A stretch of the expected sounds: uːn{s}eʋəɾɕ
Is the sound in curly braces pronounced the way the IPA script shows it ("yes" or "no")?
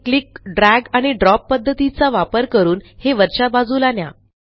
no